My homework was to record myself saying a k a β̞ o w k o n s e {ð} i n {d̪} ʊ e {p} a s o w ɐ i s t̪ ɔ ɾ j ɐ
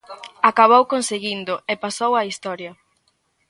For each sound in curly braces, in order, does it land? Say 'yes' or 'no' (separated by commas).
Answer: no, yes, yes